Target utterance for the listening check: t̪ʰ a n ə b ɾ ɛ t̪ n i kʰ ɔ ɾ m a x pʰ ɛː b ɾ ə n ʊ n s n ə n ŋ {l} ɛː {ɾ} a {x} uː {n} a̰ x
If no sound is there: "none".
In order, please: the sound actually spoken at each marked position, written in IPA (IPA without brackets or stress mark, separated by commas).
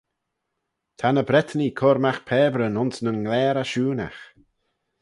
l, ɾ, ʃ, n